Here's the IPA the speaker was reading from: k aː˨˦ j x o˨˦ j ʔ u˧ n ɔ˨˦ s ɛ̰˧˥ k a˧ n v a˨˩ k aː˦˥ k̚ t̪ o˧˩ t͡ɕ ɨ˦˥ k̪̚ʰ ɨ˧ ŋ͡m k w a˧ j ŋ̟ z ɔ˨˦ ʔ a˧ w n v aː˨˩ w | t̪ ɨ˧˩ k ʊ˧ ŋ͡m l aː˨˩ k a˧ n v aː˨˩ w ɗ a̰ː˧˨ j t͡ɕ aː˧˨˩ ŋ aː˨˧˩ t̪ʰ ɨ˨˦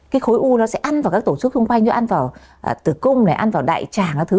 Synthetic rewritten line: k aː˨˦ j x o˨˦ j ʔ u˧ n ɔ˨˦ s ɛ̰˧˥ ʔ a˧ n v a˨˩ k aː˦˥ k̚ t̪ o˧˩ t͡ɕ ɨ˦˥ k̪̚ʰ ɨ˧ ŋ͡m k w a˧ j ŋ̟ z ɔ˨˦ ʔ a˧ n v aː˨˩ w | t̪ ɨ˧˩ k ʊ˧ ŋ͡m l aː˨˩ ʔ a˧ n v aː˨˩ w ɗ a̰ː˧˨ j t͡ɕ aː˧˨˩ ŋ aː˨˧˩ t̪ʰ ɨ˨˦